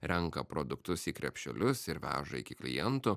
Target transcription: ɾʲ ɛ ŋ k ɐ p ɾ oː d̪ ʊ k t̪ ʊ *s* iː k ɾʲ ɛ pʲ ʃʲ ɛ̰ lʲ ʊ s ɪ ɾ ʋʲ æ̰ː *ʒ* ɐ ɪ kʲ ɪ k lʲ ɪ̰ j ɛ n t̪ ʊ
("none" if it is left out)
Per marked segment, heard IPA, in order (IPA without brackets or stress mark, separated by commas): s, ʒ